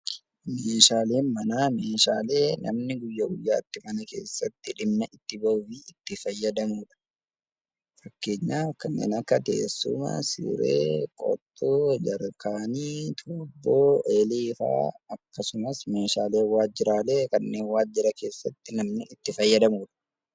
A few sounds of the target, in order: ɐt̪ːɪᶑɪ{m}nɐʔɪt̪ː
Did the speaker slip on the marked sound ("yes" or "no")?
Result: no